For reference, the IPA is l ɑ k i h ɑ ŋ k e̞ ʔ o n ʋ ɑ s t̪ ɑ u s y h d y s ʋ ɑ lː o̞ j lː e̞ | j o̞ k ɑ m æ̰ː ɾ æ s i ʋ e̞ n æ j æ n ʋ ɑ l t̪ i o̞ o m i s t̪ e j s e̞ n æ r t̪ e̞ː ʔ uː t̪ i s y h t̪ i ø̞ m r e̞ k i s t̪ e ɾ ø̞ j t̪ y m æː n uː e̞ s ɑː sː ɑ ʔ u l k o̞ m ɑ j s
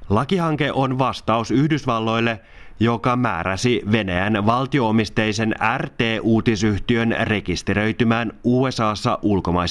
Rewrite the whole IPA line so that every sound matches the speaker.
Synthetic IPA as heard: l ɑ k i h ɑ ŋ k e̞ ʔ o n ʋ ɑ s t̪ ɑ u s y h d y s ʋ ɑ lː o̞ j lː e̞ | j o̞ k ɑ m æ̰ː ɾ æ s i ʋ e̞ n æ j æ n ʋ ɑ l t̪ i o̞ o m i s t̪ e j s e̞ n æ r t̪ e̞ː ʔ uː t̪ i s y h t̪ i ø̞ n r e̞ k i s t̪ e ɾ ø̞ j t̪ y m æː n uː e̞ s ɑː sː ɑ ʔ u l k o̞ m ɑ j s